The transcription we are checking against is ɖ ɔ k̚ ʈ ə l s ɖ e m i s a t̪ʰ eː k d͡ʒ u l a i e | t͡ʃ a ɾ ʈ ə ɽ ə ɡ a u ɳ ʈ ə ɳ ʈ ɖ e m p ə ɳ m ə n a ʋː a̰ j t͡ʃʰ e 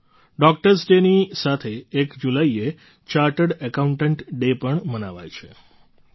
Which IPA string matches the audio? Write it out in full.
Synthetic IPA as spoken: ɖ ɔ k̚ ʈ ə ɾ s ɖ e n i s a t̪ʰ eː k d͡ʒ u l a i e | t͡ʃ a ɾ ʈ ə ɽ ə k a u ɳ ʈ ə ɳ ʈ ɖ e p ə ɳ m ə n a ʋ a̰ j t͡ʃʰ e